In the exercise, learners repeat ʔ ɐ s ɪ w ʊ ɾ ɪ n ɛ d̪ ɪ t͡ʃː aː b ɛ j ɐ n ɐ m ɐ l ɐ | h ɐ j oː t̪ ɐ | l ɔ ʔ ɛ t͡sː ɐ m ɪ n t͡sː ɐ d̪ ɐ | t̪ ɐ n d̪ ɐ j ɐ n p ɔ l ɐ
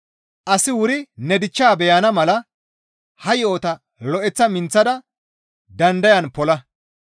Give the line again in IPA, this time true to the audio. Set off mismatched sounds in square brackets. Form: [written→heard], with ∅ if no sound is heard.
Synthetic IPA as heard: ʔ ɐ s ɪ w ʊ ɾ ɪ n ɛ d̪ ɪ t͡ʃː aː b ɛ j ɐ n ɐ m ɐ l ɐ | h ɐ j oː t̪ ɐ | l ɔ ʔ ɛ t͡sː ɐ m ɪ n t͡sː ɐ d̪ ɐ | [t̪→d̪] ɐ n d̪ ɐ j ɐ n p ɔ l ɐ